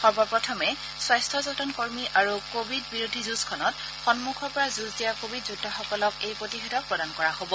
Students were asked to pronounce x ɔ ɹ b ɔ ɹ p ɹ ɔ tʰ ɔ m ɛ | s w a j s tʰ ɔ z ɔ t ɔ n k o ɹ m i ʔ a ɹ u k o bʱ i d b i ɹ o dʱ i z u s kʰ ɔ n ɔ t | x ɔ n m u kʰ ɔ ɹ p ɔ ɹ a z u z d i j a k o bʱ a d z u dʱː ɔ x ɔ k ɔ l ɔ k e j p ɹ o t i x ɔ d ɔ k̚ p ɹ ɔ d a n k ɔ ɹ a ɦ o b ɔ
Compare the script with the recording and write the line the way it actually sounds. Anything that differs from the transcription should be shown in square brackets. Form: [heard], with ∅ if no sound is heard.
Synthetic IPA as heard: x ɔ ɹ b ɔ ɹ p ɹ ɔ tʰ ɔ m ɛ | s w a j s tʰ ɔ z ɔ t ɔ n k o ɹ m i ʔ a ɹ u k o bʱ i d b i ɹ o dʱ i z u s kʰ ɔ n ɔ t | x ɔ n m u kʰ ɔ ɹ p ɔ ɹ a z u z d i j a k o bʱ [i] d z u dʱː ɔ x ɔ k ɔ l ɔ k e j p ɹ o t i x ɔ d ɔ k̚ p ɹ ɔ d a n k ɔ ɹ a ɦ o b ɔ